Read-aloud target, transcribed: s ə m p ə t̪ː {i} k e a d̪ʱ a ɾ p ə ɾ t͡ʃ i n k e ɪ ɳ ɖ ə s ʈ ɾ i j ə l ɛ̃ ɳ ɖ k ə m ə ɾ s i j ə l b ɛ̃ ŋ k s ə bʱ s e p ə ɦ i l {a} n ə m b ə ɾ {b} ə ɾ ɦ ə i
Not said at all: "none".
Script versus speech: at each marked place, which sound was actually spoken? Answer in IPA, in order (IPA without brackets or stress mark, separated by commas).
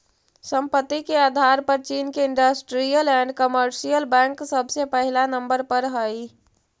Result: i, a, p